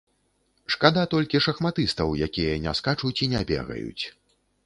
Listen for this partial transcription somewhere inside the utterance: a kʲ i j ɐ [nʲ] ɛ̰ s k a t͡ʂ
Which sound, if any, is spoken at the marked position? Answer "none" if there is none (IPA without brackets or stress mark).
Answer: nʲ